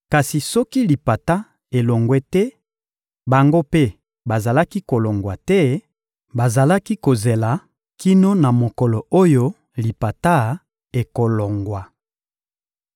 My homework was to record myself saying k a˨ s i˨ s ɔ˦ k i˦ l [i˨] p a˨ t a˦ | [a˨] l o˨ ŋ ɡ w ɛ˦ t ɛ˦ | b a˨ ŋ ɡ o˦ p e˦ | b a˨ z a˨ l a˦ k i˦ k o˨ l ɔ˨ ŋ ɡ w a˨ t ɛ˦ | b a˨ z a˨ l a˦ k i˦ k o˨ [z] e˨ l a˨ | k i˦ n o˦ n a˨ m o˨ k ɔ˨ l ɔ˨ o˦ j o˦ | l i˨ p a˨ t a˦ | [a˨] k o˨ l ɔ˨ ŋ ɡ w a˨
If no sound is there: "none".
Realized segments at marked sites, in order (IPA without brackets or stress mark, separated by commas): i˨, e˨, z, e˨